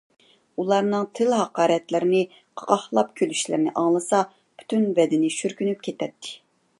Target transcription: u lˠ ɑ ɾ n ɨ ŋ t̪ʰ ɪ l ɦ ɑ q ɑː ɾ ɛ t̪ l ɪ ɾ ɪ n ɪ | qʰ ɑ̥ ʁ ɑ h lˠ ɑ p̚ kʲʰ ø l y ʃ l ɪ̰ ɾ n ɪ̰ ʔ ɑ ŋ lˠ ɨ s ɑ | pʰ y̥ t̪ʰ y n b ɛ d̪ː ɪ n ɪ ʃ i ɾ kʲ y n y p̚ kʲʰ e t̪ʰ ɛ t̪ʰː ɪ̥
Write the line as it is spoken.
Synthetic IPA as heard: u lˠ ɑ ɾ n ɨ ŋ t̪ʰ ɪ l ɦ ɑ q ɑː ɾ ɛ t̪ l ɪ ɾ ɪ n ɪ | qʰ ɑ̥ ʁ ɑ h lˠ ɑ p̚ kʲʰ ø l y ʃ l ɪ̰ ɾ n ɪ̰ ʔ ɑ ŋ lˠ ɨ s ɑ | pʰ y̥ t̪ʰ y n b ɛ d̪ ɪ n ɪ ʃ y ɾ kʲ y n y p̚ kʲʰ e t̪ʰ ɛ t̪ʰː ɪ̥